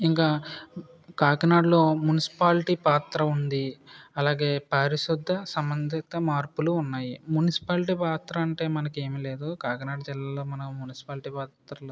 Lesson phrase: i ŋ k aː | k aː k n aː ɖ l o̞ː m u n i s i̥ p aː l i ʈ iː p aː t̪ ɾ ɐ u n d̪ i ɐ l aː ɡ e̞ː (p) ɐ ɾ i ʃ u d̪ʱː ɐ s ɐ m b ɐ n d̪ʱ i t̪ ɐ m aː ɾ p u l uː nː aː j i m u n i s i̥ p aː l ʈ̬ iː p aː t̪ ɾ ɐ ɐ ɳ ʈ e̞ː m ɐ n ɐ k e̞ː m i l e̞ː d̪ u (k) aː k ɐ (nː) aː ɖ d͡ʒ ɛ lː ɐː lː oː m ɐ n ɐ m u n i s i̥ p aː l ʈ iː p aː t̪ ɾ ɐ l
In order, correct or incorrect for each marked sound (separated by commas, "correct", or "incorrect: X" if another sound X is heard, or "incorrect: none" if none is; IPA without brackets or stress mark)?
correct, correct, incorrect: n